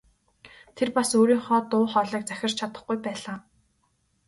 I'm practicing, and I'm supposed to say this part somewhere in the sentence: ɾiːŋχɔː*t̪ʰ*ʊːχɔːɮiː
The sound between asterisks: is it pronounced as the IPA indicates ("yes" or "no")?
no